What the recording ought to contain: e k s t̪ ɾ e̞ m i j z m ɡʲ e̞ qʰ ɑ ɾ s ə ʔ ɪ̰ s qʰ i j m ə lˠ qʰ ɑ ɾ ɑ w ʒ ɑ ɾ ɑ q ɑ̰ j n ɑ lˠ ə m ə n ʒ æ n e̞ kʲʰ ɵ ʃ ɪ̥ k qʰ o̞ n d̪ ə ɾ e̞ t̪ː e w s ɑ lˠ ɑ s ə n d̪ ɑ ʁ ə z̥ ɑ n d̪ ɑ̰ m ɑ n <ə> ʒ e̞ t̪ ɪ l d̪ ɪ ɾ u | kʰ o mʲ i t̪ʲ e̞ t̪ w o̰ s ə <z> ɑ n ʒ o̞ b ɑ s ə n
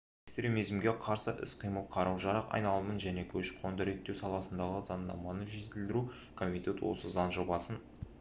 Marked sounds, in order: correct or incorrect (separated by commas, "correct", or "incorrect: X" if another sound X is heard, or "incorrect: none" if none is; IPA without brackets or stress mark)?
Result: correct, correct